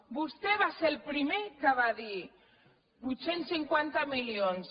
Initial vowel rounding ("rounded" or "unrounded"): rounded